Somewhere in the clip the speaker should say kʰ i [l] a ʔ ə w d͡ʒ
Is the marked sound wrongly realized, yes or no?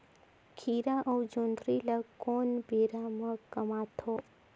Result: yes